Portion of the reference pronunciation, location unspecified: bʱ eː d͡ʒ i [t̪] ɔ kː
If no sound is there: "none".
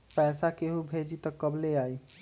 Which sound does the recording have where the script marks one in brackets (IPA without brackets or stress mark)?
t̪